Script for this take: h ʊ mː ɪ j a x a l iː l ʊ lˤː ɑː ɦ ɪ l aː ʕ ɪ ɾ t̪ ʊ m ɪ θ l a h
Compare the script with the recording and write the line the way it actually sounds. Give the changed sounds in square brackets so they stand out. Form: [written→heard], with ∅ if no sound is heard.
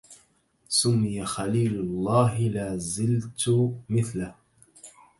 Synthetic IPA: [h→s] ʊ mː ɪ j a x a l iː l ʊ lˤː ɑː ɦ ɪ l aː [ʕ→z] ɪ [ɾ→l] t̪ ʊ m ɪ θ l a h